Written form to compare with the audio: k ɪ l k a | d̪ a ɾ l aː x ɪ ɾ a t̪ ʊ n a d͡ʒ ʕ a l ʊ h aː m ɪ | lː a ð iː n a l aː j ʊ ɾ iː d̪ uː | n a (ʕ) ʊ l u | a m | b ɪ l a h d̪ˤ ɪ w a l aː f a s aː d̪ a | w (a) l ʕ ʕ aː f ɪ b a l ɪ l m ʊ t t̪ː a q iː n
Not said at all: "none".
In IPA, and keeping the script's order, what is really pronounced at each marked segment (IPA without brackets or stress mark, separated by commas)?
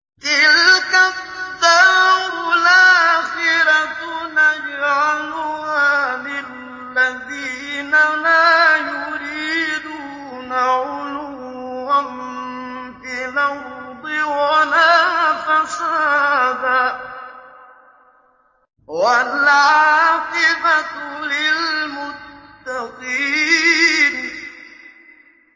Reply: ʕ, a